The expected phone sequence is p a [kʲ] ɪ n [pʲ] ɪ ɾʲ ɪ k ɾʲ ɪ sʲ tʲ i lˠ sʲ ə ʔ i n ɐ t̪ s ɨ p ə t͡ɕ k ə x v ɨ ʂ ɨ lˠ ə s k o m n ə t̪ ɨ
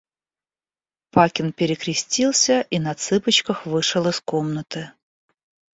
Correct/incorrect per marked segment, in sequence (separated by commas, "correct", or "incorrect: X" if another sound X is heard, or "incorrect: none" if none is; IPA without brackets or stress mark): correct, correct